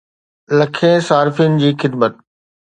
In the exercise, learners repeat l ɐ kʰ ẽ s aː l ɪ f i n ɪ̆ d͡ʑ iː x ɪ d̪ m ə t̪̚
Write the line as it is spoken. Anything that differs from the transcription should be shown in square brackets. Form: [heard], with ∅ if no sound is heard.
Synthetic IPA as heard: l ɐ kʰ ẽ s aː [ɾ] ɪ f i n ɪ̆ d͡ʑ iː x ɪ d̪ m ə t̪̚